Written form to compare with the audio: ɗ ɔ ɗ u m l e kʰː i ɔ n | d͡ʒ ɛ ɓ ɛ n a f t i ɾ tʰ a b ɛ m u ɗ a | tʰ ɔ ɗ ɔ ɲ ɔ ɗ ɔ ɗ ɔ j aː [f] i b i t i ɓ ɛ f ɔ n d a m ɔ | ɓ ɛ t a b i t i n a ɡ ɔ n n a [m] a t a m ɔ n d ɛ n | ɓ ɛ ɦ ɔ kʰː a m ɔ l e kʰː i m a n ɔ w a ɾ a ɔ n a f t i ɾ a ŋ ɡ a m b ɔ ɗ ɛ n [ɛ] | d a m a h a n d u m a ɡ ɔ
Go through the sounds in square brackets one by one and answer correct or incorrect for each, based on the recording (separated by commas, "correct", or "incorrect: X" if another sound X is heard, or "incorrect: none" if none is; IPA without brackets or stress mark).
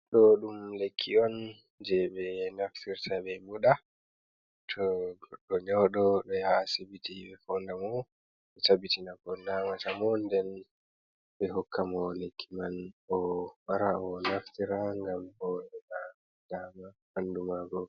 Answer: incorrect: s, correct, incorrect: a